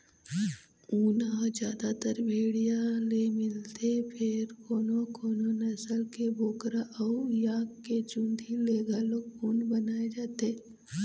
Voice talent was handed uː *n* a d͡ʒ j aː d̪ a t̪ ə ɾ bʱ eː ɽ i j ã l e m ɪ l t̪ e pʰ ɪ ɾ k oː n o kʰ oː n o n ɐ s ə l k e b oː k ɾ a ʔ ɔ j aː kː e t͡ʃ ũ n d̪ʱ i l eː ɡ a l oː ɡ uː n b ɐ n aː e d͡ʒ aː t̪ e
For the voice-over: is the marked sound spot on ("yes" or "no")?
yes